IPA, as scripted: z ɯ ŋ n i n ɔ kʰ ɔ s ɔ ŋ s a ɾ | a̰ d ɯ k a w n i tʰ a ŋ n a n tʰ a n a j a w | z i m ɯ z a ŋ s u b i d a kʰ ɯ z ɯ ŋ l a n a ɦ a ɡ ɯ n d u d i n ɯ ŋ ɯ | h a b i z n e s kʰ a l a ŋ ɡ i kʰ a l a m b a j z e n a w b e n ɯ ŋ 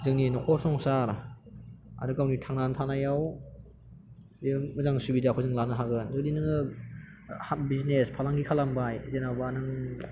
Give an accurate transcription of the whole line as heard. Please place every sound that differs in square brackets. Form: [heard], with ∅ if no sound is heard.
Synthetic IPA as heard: z ɯ ŋ n i n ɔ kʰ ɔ s ɔ ŋ s a ɾ | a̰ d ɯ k a w n i tʰ a ŋ n a n tʰ a n a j a w | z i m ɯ z a ŋ s u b i d a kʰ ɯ z ɯ ŋ l a n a ɦ a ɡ ɯ n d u d i n ɯ ŋ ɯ | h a b i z n e s [pʰ] a l a ŋ ɡ i kʰ a l a m b a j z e n a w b [a] n ɯ ŋ